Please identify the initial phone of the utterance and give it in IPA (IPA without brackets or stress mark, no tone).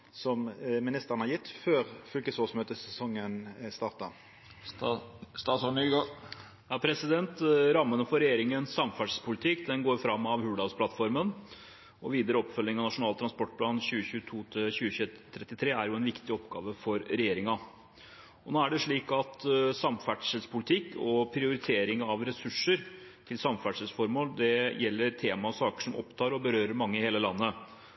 s